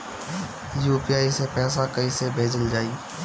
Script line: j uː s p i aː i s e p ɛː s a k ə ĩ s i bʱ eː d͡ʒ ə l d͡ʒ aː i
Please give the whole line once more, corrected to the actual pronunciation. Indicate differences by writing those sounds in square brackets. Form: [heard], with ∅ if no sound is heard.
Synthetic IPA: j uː [∅] p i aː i s e p ɛː s a k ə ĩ s [e] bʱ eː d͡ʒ ə l d͡ʒ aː i